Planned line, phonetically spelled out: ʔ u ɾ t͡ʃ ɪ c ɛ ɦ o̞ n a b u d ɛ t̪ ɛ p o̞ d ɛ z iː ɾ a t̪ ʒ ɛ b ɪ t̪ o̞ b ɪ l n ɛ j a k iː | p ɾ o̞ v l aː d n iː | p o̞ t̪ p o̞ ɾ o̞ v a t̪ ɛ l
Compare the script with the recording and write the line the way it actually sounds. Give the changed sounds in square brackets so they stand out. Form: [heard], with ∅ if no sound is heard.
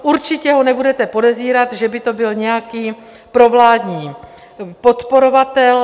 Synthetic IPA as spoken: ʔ u ɾ t͡ʃ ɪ c ɛ ɦ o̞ n [ɛ] b u d ɛ t̪ ɛ p o̞ d ɛ z iː ɾ a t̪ ʒ ɛ b ɪ t̪ o̞ b ɪ l [ɲ] ɛ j a k iː | p ɾ o̞ v l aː d [ɲ] iː | p o̞ t̪ p o̞ ɾ o̞ v a t̪ ɛ l